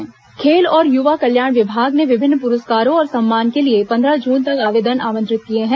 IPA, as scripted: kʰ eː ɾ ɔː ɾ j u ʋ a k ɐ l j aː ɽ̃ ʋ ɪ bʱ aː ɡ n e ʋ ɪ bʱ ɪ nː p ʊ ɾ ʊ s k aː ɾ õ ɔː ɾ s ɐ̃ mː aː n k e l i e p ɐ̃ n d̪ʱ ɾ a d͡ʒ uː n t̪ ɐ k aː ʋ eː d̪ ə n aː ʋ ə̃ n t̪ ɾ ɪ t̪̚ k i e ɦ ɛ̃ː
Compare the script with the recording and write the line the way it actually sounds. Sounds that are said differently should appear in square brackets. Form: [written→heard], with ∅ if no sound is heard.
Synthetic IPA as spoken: kʰ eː [ɾ→l] ɔː ɾ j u ʋ a k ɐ l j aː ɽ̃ ʋ ɪ bʱ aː ɡ n e ʋ ɪ bʱ ɪ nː p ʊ ɾ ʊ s k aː ɾ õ ɔː ɾ s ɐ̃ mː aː n k e l i e p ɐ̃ n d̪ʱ ɾ a d͡ʒ uː n t̪ ɐ k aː ʋ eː d̪ ə n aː ʋ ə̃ n t̪ ɾ ɪ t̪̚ k i e ɦ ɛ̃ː